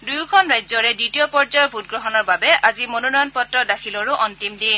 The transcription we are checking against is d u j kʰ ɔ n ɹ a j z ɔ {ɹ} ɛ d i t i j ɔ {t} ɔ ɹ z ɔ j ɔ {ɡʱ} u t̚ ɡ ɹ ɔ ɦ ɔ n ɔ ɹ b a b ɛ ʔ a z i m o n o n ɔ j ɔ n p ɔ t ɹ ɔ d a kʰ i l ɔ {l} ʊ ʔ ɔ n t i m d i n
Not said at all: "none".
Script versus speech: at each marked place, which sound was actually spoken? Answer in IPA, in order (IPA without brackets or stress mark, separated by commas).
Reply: ɹ, p, bʱ, ɹ